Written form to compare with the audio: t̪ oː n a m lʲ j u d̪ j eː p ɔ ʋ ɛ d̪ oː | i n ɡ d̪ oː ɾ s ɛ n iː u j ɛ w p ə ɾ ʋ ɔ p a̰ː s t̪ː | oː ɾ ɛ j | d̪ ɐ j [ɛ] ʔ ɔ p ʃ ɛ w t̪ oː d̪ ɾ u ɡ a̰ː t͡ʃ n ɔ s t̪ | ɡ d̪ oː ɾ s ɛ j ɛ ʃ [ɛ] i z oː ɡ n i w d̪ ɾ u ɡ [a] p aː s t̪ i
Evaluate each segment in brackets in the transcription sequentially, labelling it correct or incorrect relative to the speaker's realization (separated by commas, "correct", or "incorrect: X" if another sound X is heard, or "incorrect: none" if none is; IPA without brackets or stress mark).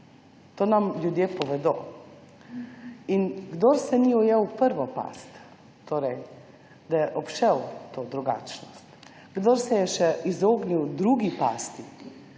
correct, correct, incorrect: i